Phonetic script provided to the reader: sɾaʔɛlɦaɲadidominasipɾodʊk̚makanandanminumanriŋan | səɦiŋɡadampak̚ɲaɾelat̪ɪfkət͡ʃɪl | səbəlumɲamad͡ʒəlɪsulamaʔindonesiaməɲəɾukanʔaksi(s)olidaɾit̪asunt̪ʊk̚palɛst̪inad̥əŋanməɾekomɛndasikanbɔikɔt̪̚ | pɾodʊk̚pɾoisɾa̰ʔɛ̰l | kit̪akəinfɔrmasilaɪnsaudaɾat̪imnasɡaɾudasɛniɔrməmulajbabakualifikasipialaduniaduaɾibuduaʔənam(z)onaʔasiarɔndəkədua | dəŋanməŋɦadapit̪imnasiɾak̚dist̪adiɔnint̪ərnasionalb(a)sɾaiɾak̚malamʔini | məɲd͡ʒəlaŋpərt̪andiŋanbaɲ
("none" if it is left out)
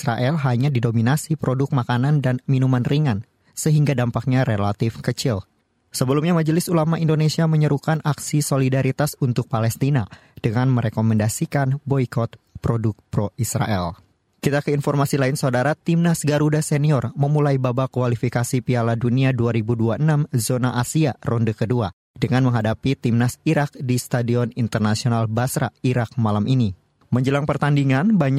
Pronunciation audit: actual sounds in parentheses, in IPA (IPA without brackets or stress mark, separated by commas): s, z, a